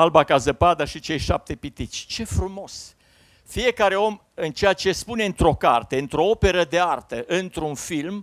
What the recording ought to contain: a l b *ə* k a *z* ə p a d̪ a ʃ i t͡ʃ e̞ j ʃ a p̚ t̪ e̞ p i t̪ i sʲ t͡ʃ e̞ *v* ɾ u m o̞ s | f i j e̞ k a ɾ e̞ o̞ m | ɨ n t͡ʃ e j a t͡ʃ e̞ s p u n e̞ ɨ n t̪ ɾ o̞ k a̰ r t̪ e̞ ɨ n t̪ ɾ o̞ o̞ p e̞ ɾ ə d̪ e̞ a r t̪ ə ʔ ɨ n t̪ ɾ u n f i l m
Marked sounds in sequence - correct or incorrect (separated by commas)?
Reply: incorrect, correct, incorrect